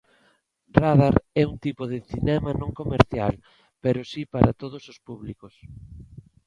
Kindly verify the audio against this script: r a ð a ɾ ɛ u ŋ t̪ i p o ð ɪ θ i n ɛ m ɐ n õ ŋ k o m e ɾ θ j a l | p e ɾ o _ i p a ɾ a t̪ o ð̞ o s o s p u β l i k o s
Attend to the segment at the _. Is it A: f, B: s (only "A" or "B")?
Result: B